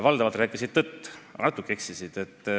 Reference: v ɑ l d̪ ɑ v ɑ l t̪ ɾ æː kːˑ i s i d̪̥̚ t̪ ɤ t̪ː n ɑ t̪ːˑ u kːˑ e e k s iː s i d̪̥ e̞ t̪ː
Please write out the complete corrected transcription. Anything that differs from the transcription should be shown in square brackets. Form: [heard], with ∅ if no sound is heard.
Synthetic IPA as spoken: v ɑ l d̪ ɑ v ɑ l t̪ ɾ æː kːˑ i s i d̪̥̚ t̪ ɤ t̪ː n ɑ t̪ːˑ u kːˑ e e k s [i] s i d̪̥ e̞ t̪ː